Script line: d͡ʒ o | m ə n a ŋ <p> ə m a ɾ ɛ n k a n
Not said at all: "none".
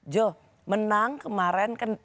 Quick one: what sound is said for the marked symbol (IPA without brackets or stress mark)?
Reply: k